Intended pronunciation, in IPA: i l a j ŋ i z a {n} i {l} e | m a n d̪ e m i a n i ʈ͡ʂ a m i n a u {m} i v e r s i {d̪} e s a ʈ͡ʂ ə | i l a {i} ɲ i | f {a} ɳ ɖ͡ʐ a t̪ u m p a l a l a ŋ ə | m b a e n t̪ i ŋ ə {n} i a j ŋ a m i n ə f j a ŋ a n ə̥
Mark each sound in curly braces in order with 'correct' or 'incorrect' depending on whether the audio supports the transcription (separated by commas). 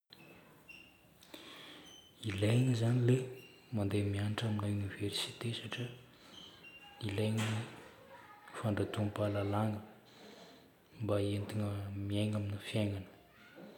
correct, correct, incorrect, incorrect, incorrect, correct, incorrect